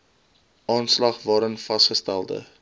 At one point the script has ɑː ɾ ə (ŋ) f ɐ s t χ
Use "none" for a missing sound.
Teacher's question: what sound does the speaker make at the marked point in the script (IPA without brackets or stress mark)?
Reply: n